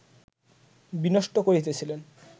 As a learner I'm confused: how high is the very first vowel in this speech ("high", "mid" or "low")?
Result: high